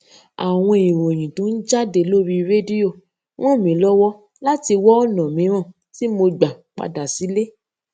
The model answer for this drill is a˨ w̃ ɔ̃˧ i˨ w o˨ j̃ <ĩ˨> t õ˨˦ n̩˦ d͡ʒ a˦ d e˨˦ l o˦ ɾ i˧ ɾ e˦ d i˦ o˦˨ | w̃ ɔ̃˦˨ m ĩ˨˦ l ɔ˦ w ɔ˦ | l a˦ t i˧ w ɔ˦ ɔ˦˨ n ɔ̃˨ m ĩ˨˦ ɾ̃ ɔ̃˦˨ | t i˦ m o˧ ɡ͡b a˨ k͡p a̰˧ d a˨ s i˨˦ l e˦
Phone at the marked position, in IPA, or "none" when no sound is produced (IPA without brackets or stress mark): ĩ˨